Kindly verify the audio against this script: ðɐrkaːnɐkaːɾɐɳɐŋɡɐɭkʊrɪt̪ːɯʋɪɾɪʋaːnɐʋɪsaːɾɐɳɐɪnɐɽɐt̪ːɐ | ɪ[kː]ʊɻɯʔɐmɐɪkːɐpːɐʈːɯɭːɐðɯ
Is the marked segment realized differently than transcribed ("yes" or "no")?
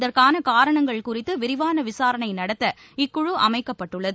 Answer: no